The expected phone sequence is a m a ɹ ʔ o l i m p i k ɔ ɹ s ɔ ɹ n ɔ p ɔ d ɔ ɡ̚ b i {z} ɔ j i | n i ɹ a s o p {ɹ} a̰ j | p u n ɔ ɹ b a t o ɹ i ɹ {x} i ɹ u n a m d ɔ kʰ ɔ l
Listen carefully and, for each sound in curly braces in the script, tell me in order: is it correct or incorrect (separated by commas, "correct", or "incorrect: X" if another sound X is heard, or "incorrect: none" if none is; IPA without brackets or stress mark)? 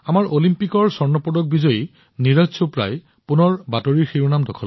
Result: correct, correct, correct